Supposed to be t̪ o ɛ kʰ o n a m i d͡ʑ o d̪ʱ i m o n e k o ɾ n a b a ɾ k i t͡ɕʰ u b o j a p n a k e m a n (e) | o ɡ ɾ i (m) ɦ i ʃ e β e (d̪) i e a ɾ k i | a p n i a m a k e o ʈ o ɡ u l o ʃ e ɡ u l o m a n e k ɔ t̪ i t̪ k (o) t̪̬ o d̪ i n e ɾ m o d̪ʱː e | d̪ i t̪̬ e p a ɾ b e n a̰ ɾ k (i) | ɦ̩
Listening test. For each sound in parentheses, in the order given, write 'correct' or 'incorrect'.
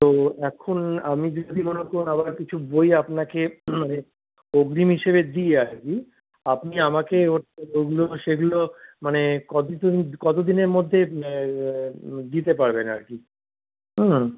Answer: correct, correct, correct, incorrect, correct

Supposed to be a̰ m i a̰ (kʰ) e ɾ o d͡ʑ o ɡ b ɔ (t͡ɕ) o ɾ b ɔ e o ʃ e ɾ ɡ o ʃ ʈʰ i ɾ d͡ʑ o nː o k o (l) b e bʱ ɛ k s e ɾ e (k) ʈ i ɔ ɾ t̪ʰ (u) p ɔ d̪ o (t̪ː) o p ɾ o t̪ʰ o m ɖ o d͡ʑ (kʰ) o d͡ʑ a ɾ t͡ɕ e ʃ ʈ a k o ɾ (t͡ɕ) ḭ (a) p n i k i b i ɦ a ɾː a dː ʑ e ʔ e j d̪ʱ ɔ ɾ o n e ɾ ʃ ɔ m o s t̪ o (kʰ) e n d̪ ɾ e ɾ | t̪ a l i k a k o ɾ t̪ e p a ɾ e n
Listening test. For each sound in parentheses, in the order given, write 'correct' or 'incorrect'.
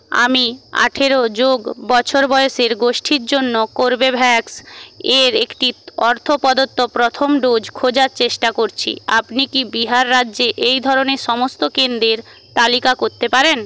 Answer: incorrect, incorrect, incorrect, correct, incorrect, correct, correct, incorrect, correct, incorrect

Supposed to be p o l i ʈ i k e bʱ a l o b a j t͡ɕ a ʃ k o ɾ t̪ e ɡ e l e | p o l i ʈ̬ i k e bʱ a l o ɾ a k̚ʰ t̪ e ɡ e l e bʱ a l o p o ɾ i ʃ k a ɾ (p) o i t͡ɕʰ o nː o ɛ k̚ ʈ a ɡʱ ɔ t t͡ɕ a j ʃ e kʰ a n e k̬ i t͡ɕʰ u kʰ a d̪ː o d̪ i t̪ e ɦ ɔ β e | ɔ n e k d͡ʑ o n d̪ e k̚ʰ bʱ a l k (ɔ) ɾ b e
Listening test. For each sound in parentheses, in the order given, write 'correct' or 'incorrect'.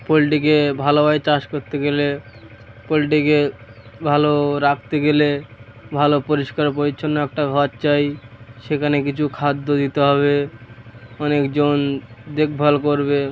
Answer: correct, incorrect

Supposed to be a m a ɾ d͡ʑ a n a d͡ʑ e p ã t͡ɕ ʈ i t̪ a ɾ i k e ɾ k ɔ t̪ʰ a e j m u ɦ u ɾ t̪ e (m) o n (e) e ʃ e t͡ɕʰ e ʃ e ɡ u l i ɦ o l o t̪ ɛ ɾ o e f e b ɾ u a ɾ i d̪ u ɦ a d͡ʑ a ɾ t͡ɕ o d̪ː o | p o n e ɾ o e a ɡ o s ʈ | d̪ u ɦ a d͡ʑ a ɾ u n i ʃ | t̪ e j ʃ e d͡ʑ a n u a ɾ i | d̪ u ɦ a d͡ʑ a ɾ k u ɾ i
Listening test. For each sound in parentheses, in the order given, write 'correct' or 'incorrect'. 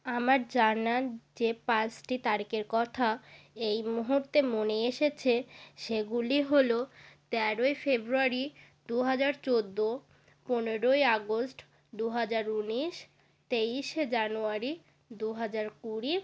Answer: correct, correct

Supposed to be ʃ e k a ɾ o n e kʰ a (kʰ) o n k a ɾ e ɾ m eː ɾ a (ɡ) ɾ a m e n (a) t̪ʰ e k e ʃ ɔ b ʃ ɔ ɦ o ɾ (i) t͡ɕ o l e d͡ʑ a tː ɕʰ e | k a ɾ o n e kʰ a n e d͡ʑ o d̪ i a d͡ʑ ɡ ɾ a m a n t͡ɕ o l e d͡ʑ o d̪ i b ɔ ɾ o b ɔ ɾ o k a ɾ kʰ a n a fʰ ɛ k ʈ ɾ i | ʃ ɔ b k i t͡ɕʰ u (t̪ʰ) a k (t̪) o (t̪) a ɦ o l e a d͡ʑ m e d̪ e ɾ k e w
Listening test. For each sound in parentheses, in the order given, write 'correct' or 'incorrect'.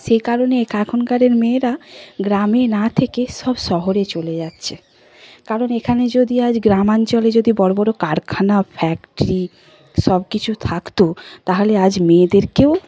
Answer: correct, correct, correct, incorrect, correct, correct, correct

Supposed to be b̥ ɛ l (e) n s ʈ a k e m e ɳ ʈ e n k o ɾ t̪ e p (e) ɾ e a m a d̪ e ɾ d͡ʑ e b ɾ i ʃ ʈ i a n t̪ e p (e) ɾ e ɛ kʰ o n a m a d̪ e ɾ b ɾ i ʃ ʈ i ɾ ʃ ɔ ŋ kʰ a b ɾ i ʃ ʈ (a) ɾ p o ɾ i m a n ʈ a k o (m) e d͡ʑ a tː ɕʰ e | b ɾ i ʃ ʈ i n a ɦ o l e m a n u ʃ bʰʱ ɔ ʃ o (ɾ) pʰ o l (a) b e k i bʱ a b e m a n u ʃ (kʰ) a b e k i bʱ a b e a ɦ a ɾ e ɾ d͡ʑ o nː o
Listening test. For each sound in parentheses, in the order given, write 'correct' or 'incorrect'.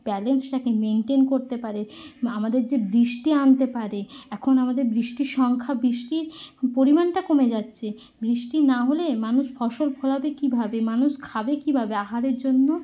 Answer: correct, incorrect, incorrect, incorrect, correct, incorrect, correct, correct

